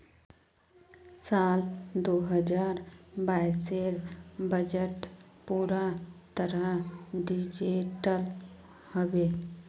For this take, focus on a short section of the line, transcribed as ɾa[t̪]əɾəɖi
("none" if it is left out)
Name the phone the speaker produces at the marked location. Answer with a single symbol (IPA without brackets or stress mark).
t̪